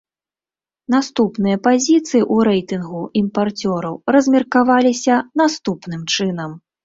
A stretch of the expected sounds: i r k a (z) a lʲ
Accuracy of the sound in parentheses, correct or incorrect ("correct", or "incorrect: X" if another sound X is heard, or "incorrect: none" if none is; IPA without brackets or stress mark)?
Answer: incorrect: v